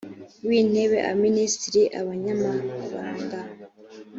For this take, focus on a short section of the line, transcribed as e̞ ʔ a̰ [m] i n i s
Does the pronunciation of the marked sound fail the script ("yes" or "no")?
no